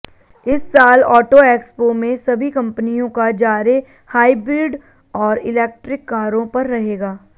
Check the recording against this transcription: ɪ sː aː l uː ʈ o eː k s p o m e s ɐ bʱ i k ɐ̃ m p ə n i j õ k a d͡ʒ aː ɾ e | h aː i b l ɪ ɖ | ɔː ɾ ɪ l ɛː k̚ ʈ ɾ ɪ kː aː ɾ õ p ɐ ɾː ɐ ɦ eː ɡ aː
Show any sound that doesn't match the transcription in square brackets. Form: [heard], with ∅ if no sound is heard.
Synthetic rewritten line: ɪ sː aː l [ɔː] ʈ o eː k s p o m [ẽ] s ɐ bʱ i k ɐ̃ m p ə n i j õ k a d͡ʒ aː ɾ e | h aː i b [ɾ] ɪ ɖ | ɔː ɾ ɪ l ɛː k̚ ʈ ɾ ɪ kː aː ɾ õ p ɐ ɾː ɐ ɦ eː ɡ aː